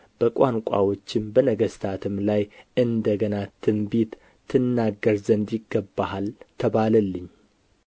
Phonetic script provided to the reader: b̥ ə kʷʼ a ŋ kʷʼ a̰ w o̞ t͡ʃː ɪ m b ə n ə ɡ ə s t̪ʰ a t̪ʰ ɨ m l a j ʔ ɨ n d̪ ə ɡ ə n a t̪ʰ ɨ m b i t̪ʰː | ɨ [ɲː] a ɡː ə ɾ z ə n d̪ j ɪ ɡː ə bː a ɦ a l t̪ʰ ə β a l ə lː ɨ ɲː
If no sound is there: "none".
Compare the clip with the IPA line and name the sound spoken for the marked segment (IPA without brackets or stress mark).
nː